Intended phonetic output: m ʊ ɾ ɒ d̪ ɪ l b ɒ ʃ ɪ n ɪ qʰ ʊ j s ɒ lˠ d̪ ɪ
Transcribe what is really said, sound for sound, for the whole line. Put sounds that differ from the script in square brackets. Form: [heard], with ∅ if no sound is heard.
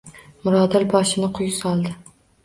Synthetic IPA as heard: m ʊ ɾ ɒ d̪ ɪ l b ɒ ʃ ɪ n ɪ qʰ ʊ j s ɒ lˠ d̪ ɪ